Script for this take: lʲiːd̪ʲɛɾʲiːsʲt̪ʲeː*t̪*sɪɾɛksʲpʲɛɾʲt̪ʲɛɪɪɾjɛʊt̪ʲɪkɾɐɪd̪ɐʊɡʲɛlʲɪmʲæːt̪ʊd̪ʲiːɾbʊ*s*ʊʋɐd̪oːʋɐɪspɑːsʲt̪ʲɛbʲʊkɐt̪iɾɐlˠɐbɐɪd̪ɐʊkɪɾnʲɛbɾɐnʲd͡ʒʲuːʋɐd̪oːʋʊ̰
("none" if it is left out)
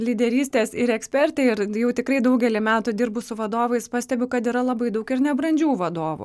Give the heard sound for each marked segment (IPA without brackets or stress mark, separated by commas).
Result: none, s